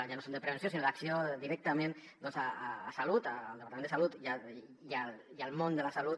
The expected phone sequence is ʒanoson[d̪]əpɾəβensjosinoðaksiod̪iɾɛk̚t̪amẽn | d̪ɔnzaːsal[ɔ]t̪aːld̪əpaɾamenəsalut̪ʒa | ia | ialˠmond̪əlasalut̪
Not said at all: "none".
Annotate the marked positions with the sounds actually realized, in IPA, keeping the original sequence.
d̪, u

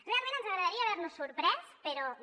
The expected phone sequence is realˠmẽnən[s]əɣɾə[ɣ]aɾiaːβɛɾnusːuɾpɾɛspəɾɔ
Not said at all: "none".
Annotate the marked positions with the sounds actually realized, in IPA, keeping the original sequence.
z, ð

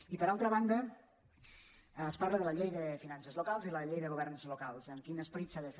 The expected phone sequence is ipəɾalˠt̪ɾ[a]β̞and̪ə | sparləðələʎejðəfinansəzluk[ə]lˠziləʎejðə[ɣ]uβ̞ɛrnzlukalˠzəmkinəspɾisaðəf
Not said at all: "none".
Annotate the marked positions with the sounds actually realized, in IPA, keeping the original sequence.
ə, a, ɣ

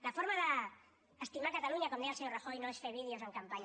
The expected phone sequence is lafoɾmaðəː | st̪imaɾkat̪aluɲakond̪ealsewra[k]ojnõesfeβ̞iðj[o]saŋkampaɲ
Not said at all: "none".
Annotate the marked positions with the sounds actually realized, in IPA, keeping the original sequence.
x, o

